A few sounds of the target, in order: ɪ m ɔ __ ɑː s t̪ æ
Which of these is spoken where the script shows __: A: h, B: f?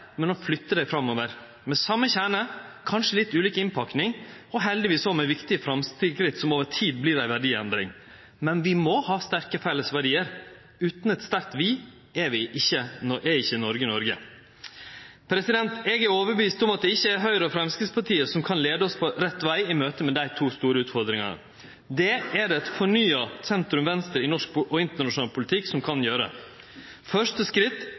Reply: A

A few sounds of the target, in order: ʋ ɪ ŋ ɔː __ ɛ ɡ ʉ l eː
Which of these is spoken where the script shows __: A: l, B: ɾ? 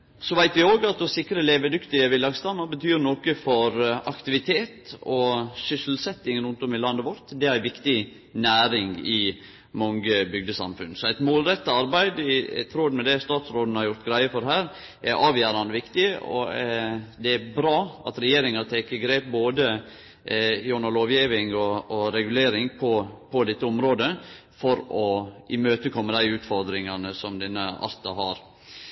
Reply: B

